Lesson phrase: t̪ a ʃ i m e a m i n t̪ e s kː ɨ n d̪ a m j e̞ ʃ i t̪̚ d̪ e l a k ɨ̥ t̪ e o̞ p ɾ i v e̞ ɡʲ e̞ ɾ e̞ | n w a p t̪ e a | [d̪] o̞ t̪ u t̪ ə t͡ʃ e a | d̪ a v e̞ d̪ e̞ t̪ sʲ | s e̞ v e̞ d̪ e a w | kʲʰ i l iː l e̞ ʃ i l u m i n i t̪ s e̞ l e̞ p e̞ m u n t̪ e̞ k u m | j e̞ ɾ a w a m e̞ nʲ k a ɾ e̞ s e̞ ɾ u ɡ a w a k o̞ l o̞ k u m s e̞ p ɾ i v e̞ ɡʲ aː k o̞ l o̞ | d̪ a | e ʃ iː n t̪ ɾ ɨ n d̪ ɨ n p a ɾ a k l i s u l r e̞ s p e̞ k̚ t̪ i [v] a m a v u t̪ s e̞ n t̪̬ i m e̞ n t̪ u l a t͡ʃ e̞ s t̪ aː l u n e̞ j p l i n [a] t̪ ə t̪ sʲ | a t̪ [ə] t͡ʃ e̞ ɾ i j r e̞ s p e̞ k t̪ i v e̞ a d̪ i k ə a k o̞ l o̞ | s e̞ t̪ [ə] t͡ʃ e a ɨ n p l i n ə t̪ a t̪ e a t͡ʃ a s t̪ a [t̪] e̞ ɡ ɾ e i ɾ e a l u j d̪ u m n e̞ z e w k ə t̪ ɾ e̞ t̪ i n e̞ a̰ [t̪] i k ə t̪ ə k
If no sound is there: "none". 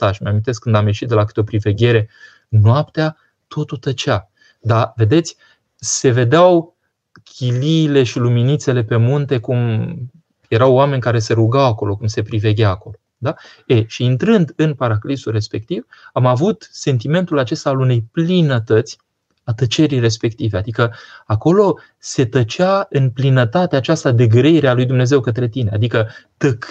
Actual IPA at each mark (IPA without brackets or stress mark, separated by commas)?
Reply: t̪, v, ə, ə, ə, d̪, d̪